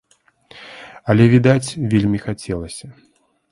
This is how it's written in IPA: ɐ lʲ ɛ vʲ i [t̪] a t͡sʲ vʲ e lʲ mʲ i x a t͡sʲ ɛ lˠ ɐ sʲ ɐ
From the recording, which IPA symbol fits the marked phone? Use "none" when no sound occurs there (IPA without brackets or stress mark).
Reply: d̪